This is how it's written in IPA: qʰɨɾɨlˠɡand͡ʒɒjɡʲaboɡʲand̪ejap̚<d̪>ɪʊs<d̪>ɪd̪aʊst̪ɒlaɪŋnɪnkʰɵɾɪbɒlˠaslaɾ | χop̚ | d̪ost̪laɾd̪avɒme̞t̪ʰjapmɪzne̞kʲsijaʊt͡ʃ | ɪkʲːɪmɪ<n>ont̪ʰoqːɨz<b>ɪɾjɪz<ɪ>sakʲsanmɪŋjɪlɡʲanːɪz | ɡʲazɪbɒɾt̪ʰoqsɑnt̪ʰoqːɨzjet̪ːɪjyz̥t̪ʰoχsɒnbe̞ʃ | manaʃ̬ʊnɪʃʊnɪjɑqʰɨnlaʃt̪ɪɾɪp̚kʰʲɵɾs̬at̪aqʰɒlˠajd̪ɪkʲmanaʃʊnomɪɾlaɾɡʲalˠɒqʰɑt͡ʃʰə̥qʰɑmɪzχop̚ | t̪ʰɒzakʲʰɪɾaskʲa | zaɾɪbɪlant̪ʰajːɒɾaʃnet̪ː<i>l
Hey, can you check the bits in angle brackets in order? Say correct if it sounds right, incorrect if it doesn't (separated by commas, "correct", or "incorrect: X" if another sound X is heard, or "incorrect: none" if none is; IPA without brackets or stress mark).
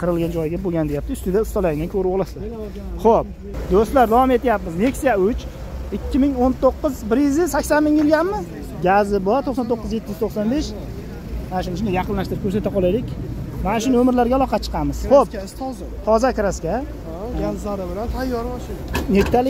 incorrect: t̪, incorrect: t̪, incorrect: ŋ, correct, correct, incorrect: a